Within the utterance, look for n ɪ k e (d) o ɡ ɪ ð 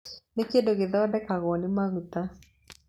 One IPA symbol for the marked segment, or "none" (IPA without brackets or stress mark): d